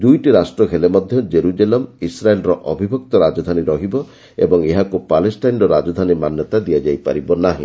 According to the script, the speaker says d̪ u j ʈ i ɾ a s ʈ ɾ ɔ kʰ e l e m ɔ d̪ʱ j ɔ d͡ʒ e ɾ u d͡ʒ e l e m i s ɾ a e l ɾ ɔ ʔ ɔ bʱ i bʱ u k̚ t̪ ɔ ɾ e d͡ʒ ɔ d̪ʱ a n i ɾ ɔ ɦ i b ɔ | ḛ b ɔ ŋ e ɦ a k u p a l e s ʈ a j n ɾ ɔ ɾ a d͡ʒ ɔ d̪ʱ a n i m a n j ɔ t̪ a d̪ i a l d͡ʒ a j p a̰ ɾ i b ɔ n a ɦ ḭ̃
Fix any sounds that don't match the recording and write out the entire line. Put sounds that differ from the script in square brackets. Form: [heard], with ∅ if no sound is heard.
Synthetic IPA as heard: d̪ u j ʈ i ɾ a s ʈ ɾ ɔ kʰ e l e m ɔ d̪ʱ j ɔ d͡ʒ e ɾ u d͡ʒ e l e m i s ɾ a e l ɾ ɔ ʔ ɔ bʱ i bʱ [ɔ] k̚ t̪ ɔ ɾ [a] d͡ʒ ɔ d̪ʱ a n i ɾ ɔ ɦ i b ɔ | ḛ b ɔ ŋ e ɦ a k u p a l e s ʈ a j n ɾ ɔ ɾ a d͡ʒ ɔ d̪ʱ a n i m a n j ɔ t̪ a d̪ i a [∅] d͡ʒ a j p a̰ ɾ i b ɔ n a ɦ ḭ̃